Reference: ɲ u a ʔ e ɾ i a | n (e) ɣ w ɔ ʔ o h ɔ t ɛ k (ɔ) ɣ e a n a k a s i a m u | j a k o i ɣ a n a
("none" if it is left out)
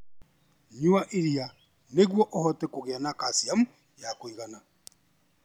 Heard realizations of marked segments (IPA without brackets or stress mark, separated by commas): e, o